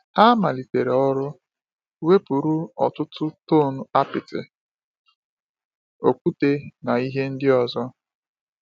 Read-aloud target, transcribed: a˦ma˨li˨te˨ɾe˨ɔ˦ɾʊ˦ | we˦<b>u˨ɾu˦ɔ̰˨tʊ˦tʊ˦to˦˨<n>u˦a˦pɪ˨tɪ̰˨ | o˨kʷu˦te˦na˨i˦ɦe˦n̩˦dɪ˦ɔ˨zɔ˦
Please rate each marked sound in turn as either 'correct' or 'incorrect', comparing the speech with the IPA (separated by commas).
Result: incorrect, correct